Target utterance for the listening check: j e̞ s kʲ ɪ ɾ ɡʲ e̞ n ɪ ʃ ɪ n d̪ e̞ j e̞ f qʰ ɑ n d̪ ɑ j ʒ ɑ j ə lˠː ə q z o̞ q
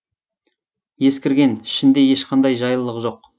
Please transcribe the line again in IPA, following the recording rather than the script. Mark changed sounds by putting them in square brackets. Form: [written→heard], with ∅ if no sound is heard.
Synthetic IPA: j e̞ s kʲ ɪ ɾ ɡʲ e̞ n ɪ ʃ ɪ n d̪ e̞ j e̞ [f→ʃ] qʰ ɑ n d̪ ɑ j ʒ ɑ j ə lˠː ə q [z→ʒ] o̞ q